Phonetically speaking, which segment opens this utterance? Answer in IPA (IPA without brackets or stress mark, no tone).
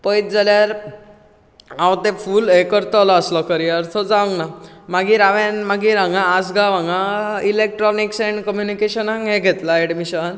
p